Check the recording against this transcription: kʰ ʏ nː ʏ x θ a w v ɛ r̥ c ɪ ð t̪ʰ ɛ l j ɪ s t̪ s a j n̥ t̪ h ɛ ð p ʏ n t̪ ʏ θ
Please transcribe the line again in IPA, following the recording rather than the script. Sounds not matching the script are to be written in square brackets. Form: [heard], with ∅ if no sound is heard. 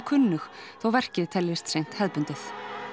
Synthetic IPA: kʰ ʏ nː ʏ x θ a w v ɛ r̥ c ɪ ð t̪ʰ ɛ l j ɪ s t̪ s [e] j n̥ t̪ h ɛ ð p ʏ n t̪ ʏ θ